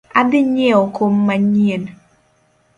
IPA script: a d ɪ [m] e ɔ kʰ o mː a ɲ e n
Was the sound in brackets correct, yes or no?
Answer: no